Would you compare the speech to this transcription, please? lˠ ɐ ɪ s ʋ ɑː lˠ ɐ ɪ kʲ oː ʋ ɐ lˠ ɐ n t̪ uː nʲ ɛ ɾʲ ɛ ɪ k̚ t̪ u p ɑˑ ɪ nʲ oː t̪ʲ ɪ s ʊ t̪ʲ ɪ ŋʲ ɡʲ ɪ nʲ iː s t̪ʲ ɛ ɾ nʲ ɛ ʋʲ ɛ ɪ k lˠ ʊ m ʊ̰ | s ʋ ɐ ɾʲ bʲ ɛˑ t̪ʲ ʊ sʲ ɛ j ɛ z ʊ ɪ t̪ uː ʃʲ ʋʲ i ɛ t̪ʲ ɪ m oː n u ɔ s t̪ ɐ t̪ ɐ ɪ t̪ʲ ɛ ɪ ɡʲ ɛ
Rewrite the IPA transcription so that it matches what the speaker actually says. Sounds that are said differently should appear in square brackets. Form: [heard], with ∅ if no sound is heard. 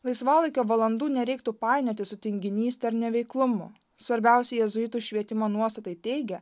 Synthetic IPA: lˠ ɐ ɪ s ʋ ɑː lˠ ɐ ɪ kʲ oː ʋ ɐ lˠ ɐ n [d̪] uː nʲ ɛ ɾʲ ɛ ɪ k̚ t̪ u p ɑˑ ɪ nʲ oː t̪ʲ ɪ s ʊ t̪ʲ ɪ ŋʲ ɡʲ ɪ nʲ iː s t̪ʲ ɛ ɾ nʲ ɛ ʋʲ ɛ ɪ k lˠ ʊ m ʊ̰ | s ʋ ɐ ɾʲ bʲ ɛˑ [∅] ʊ sʲ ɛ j ɛ z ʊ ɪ t̪ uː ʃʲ ʋʲ i ɛ t̪ʲ ɪ m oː n u ɔ s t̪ ɐ t̪ ɐ ɪ t̪ʲ ɛ ɪ ɡʲ ɛ